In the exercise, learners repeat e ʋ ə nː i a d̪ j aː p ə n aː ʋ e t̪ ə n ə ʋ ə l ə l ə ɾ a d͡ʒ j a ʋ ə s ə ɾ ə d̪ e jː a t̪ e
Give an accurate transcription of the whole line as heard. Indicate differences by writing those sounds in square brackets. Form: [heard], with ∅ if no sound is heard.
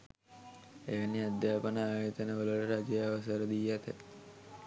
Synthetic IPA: e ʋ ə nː i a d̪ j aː p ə n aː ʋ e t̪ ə n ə ʋ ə l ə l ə ɾ a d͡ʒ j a ʋ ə s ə ɾ ə d̪ [i] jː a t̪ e